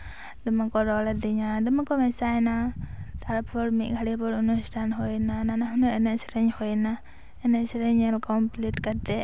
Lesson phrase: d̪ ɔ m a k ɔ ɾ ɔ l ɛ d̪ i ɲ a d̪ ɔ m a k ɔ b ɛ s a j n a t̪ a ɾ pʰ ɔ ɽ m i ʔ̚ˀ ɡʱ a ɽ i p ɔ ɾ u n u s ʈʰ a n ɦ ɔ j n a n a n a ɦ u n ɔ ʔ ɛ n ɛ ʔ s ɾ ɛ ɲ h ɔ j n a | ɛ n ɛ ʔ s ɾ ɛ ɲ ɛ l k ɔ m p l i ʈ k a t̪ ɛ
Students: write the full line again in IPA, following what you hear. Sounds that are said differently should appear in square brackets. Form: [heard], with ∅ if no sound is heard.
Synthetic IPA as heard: d̪ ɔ m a k ɔ ɾ ɔ l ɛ d̪ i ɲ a d̪ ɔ m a k ɔ [m] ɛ s a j n a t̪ a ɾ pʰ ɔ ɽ m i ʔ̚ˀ ɡʱ a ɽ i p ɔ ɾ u n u s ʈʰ a n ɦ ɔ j n a n a n a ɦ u n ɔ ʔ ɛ n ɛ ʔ s ɾ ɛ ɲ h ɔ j n a | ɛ n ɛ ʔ s ɾ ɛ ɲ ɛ l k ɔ m p l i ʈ k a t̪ ɛ